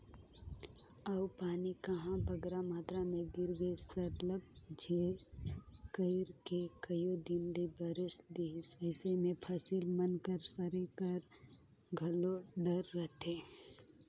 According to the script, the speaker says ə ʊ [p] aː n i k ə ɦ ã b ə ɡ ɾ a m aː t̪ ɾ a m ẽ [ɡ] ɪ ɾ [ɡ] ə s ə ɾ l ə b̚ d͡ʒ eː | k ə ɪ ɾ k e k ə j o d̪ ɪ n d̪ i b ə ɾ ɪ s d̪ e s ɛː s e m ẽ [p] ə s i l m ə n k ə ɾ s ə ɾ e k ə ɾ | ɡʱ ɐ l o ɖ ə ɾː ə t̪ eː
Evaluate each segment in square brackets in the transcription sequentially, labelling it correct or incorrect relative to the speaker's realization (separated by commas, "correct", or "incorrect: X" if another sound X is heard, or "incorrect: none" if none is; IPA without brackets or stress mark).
correct, correct, correct, incorrect: pʰ